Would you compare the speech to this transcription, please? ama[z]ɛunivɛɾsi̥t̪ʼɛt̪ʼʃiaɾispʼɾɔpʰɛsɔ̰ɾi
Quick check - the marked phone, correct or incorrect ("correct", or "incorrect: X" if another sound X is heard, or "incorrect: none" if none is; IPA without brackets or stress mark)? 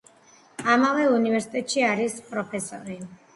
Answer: incorrect: v